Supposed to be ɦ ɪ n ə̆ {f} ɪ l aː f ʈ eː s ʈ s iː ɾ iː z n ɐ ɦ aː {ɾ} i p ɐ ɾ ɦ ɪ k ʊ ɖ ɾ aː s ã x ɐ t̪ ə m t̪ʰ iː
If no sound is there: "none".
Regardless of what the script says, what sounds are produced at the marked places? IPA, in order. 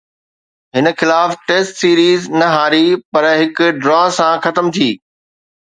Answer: x, ɾ

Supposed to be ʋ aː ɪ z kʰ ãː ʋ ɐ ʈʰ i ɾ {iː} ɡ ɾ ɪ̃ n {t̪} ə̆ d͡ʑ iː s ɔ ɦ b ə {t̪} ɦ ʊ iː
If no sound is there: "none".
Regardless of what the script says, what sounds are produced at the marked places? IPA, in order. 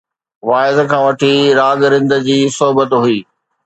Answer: aː, d̪, t̪

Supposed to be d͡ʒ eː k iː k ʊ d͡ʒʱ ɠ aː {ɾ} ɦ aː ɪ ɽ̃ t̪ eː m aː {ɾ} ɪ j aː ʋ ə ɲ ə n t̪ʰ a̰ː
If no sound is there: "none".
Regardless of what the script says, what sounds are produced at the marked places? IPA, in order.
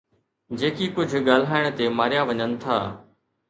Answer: l, ɾ

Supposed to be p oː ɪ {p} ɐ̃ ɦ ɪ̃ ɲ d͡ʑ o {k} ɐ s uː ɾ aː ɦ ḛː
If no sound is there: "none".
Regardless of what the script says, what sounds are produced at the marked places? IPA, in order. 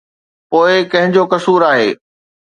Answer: k, k

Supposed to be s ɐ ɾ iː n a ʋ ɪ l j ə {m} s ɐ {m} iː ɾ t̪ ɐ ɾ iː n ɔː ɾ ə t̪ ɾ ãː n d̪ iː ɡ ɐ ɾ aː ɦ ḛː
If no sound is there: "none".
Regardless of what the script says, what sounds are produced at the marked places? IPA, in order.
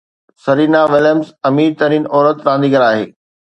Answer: m, m

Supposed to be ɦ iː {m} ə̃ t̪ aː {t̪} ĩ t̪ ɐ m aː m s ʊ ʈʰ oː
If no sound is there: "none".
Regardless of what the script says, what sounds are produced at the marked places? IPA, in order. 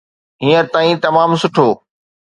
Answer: none, none

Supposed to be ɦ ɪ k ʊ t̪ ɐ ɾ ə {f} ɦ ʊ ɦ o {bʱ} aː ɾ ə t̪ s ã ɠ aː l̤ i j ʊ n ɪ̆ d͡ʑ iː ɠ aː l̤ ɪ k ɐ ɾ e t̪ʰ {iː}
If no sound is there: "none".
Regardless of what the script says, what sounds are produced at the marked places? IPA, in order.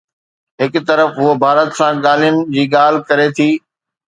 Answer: f, bʱ, iː

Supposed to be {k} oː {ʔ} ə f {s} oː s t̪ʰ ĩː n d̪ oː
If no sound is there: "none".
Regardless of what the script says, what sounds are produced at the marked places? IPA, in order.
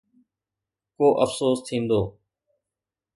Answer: k, ʔ, s

